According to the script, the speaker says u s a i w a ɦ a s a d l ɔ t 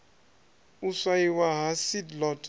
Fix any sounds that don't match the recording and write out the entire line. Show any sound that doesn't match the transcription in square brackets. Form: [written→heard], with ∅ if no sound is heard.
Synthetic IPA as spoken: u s a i w a ɦ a s [a→i] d l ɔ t